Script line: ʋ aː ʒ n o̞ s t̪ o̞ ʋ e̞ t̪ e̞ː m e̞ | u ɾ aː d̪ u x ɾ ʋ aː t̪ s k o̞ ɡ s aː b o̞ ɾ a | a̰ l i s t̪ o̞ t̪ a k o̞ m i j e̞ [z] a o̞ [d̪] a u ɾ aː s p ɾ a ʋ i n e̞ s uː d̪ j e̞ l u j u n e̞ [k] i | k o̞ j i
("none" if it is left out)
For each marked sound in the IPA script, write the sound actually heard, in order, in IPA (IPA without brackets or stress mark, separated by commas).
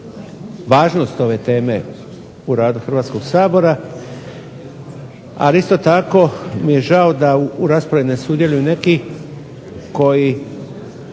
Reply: ʒ, d̪, k